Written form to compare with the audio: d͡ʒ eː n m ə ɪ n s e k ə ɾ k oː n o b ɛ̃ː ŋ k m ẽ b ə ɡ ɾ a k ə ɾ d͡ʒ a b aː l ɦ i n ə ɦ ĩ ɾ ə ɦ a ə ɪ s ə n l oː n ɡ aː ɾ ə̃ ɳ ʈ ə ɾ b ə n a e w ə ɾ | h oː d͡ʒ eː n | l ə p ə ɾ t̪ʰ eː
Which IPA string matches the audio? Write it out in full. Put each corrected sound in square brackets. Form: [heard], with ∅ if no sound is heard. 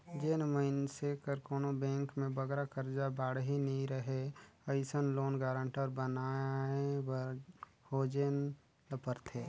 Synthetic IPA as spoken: d͡ʒ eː n m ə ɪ n s e k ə ɾ k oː n o b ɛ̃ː ŋ k m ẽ b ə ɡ ɾ a k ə ɾ d͡ʒ a b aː [ɽ] ɦ i n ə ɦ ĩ ɾ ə ɦ [e] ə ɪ s ə n l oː n ɡ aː ɾ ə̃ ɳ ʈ ə ɾ b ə n a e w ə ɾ | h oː d͡ʒ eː n | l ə p ə ɾ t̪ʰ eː